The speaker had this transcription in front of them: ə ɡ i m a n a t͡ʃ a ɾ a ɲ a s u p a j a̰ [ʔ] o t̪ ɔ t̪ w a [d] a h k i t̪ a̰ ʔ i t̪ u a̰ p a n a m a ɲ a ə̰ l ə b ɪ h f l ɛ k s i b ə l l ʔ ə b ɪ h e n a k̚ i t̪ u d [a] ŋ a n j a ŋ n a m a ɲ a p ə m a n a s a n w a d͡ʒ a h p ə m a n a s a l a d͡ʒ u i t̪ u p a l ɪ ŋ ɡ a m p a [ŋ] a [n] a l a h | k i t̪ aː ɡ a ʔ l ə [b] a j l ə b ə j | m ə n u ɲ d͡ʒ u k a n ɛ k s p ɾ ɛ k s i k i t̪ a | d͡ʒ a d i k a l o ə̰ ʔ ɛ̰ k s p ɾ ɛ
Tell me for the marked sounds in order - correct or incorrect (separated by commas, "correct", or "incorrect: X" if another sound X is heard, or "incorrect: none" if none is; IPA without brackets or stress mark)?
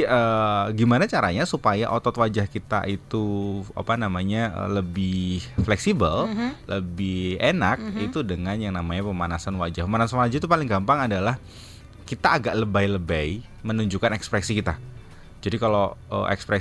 correct, incorrect: d͡ʒ, incorrect: ə, correct, incorrect: d, correct